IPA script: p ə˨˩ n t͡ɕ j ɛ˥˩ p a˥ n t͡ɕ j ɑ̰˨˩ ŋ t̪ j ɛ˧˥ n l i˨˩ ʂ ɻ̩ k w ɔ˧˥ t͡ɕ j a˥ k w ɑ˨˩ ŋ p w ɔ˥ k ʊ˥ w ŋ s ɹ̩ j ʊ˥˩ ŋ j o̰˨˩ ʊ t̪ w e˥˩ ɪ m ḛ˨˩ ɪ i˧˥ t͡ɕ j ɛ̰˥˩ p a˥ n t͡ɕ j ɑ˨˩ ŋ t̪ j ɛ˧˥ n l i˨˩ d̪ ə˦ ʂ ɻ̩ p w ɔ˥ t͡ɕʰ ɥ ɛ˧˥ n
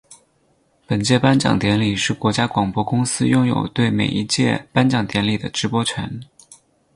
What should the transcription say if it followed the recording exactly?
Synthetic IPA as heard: p ə˨˩ n t͡ɕ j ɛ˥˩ p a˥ n t͡ɕ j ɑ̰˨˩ ŋ t̪ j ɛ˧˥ n l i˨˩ ʂ ɻ̩ k w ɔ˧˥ t͡ɕ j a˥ k w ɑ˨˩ ŋ p w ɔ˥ k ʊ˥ ŋ s ɹ̩ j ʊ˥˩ ŋ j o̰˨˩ ʊ t̪ w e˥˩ ɪ m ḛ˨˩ ɪ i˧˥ t͡ɕ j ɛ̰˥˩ p a˥ n t͡ɕ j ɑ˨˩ ŋ t̪ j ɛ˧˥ n l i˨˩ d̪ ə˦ ʈ͡ʂ ɻ̩ p w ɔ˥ t͡ɕʰ ɥ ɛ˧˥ n